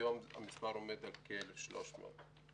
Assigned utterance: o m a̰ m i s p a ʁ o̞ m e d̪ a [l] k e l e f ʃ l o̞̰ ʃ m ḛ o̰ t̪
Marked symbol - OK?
yes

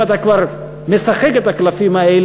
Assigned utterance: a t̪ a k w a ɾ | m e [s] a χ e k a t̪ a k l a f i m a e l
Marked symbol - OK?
yes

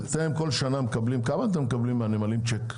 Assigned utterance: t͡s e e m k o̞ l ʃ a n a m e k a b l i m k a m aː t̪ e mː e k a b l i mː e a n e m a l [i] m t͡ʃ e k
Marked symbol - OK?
yes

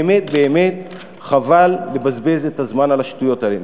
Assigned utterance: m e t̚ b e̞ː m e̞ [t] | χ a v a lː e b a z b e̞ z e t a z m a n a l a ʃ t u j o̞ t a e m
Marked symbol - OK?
yes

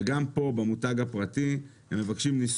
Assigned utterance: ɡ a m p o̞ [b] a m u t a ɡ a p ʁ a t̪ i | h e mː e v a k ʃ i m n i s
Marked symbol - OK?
yes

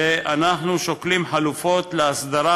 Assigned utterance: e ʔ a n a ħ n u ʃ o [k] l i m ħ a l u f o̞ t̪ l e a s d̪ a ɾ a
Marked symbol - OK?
yes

